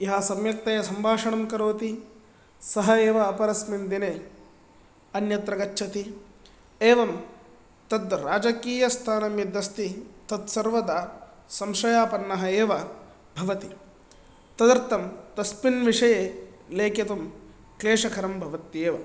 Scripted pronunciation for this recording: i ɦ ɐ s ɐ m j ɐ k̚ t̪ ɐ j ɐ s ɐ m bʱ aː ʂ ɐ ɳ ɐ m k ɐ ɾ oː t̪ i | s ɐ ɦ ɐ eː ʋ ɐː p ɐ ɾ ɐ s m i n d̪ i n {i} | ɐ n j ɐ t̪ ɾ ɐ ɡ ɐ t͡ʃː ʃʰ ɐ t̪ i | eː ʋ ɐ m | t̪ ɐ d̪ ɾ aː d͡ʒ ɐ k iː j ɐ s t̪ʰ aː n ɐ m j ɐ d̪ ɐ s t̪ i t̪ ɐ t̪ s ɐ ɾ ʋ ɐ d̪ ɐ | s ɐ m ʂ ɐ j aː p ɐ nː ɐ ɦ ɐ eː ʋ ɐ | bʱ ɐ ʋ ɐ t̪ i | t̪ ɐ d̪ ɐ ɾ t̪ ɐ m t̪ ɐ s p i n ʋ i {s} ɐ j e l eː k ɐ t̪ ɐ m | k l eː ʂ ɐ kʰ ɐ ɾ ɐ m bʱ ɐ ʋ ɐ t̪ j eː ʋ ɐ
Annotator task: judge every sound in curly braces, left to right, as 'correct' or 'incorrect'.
incorrect: e, incorrect: ʂ

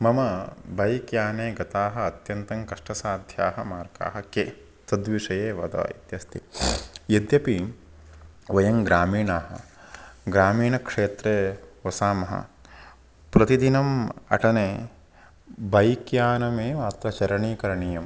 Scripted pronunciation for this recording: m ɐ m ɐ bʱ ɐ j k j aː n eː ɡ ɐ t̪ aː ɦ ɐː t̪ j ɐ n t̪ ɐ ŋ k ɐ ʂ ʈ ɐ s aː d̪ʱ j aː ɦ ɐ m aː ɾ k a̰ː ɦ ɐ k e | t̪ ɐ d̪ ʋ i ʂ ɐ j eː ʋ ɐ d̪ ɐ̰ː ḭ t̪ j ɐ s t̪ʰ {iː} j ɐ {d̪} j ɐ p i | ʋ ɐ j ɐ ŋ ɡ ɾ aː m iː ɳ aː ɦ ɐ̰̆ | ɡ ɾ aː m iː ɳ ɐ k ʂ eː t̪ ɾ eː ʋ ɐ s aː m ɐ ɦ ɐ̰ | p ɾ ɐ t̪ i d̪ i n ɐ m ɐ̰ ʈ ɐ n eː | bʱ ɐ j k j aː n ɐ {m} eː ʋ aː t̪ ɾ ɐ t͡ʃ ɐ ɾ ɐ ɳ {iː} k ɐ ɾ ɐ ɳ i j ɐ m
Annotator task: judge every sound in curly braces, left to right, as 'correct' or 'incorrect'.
incorrect: i, correct, correct, correct

